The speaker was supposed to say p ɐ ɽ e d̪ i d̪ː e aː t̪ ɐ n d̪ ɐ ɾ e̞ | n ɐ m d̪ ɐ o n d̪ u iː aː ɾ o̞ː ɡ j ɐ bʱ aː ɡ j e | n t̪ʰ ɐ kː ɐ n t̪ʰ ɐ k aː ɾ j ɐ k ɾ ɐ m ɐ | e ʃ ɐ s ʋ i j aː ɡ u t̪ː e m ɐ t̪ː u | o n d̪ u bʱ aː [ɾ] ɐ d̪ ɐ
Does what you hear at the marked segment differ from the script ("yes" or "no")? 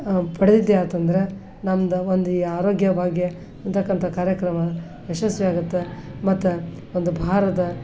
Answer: no